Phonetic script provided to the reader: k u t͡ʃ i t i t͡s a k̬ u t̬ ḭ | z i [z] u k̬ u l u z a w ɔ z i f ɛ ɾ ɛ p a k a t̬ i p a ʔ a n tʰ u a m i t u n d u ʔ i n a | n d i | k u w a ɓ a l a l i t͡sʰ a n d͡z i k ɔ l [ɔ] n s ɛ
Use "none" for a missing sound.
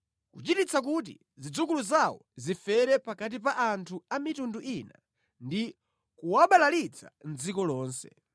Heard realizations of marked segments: d͡z, ɔː

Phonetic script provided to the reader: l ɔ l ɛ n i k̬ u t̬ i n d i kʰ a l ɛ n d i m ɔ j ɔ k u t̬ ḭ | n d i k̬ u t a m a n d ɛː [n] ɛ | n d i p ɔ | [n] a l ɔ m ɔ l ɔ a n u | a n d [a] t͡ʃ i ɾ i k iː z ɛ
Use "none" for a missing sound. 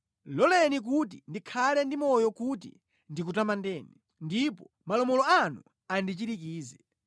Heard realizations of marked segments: n, m, i

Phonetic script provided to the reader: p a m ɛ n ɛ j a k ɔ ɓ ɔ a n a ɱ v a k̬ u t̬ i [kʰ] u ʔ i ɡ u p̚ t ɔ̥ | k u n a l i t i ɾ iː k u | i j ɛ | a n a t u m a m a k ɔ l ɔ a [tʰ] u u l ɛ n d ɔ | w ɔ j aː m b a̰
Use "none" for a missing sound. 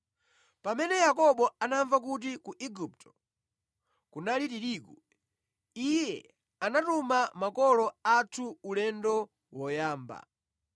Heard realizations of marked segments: k, tʰ

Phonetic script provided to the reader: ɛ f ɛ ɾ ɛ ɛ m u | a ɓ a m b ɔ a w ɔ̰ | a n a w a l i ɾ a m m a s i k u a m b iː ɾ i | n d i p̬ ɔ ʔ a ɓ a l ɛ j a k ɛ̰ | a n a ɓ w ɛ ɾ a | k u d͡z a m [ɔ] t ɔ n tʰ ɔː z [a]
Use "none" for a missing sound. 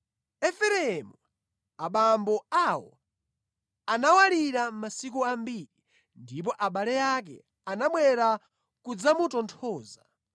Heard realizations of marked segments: u, a

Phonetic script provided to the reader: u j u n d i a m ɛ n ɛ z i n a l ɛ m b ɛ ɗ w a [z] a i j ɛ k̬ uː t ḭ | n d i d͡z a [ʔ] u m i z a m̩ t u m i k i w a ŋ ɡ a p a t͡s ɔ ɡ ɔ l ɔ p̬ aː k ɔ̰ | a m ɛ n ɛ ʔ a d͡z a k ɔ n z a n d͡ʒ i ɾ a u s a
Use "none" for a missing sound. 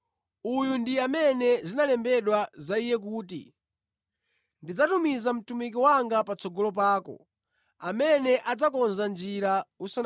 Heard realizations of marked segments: z, t

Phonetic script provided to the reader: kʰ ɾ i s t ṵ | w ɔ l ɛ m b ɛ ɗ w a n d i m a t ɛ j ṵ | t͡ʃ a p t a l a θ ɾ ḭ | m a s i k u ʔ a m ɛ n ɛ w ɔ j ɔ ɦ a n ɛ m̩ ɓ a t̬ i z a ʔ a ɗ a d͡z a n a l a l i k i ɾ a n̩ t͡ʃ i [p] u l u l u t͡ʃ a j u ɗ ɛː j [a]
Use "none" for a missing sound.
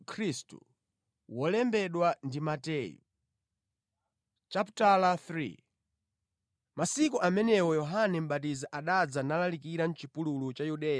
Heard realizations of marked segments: p, a

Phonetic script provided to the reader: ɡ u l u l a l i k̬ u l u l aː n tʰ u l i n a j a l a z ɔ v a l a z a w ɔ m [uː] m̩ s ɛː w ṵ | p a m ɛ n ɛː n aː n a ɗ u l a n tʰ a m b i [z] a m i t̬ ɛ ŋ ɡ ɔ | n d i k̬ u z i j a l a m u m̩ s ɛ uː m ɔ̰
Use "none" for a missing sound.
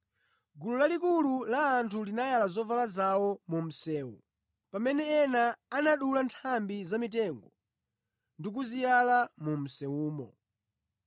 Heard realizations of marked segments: u, z

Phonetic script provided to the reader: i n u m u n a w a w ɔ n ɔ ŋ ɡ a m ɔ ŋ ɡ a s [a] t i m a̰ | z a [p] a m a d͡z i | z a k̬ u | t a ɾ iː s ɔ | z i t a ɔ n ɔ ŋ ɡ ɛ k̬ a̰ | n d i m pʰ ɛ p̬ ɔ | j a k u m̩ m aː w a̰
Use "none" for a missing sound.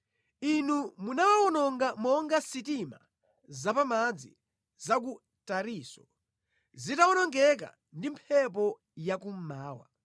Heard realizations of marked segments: i, p

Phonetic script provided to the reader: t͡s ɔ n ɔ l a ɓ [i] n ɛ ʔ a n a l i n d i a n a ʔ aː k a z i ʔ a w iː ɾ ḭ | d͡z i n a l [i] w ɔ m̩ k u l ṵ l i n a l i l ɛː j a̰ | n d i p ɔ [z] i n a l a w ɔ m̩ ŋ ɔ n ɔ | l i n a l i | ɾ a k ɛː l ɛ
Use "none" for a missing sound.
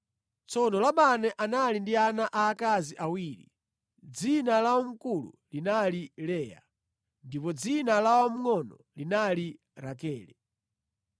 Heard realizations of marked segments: a, a, d͡z

